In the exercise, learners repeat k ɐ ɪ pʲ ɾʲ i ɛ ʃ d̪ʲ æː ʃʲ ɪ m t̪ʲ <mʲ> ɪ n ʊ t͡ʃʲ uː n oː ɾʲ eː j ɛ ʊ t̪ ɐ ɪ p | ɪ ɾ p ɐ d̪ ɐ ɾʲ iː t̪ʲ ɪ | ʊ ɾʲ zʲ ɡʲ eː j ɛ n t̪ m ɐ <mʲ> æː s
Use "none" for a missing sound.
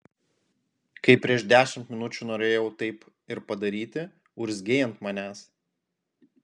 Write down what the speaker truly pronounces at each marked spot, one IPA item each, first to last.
mʲ, nʲ

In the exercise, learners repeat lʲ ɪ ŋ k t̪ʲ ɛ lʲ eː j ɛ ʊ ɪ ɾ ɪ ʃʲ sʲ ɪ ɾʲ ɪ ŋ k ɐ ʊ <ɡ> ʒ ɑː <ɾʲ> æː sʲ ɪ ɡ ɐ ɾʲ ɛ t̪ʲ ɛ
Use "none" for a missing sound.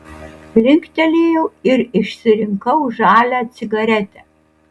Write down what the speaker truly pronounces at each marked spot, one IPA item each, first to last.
none, lʲ

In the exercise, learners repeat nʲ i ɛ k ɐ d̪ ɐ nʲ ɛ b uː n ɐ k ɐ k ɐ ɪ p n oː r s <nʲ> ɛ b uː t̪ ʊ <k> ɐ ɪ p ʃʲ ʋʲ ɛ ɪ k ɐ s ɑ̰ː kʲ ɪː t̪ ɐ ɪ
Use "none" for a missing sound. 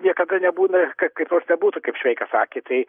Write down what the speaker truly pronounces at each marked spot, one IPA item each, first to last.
nʲ, k

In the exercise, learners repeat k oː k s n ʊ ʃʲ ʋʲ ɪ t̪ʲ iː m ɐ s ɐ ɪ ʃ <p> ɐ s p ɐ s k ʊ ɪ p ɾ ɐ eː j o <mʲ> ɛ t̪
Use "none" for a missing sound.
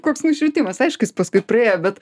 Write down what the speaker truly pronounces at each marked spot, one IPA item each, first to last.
k, bʲ

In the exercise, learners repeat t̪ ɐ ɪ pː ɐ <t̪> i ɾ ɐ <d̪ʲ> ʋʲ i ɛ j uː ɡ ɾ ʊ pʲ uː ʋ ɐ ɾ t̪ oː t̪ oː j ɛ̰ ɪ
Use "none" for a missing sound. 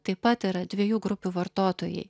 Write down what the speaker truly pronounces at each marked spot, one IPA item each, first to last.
t̪, d̪ʲ

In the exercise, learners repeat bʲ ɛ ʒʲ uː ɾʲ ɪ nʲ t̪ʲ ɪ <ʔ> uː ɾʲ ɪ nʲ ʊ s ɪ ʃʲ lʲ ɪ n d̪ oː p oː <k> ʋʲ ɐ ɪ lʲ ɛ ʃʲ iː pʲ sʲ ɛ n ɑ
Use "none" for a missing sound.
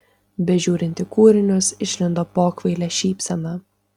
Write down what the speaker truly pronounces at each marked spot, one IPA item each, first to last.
k, k

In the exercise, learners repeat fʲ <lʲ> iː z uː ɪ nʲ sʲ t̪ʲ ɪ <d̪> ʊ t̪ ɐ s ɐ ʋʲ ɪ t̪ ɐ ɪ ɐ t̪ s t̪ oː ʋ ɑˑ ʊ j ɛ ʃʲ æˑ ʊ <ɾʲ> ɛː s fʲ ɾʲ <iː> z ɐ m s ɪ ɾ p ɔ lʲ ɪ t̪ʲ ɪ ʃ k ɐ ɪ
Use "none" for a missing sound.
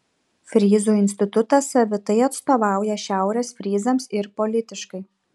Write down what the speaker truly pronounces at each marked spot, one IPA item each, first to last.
ɾʲ, t̪, ɾʲ, iː

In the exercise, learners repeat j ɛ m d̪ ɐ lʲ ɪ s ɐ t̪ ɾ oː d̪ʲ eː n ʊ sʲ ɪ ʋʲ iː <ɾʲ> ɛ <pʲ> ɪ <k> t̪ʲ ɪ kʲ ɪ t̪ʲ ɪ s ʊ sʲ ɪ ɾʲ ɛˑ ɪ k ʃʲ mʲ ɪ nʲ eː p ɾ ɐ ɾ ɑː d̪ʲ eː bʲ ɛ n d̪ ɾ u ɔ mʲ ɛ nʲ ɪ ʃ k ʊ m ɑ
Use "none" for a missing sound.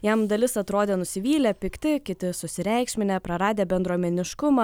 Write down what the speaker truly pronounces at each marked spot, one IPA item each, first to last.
lʲ, pʲ, k

